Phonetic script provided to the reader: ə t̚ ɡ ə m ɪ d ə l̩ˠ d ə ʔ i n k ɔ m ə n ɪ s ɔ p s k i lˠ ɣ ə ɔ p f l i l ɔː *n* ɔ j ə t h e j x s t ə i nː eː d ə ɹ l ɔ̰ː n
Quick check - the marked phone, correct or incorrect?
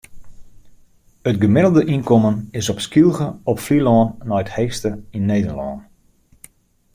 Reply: incorrect: nː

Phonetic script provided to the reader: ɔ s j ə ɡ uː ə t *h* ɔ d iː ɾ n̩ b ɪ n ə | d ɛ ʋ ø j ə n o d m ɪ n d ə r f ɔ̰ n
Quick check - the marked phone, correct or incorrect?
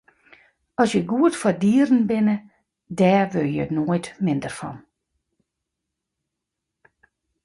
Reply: incorrect: f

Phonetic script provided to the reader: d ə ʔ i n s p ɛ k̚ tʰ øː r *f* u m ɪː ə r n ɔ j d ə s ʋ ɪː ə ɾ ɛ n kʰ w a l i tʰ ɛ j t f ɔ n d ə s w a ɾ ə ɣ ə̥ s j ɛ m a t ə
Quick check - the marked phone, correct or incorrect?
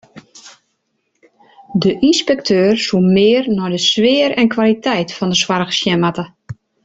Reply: incorrect: s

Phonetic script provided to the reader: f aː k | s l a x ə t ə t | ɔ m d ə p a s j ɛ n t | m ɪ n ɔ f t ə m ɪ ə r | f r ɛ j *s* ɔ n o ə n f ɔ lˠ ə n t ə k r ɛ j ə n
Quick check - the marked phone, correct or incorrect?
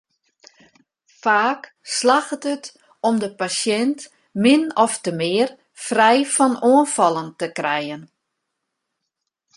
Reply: incorrect: f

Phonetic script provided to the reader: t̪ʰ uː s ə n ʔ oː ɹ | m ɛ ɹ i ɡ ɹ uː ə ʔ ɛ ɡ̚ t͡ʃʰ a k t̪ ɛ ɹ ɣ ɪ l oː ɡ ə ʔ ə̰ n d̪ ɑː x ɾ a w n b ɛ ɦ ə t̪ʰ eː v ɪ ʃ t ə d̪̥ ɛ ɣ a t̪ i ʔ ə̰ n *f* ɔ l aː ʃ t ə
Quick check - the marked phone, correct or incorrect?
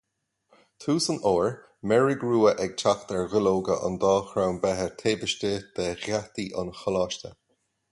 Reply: incorrect: x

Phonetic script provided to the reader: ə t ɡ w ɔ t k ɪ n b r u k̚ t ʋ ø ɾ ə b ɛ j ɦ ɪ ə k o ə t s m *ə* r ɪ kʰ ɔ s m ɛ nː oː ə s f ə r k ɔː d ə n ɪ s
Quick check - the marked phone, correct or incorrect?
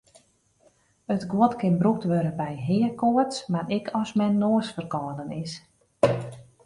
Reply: incorrect: a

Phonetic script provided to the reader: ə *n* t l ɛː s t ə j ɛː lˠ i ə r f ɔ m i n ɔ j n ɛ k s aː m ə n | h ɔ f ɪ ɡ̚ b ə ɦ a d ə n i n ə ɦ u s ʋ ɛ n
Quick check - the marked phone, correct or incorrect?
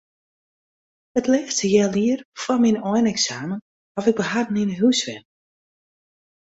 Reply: incorrect: none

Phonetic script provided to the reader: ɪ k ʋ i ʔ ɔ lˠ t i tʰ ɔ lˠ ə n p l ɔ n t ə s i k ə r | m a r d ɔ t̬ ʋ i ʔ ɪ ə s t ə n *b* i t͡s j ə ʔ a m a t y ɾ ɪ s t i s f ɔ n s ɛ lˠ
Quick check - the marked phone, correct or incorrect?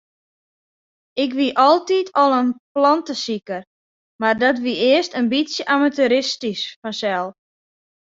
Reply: correct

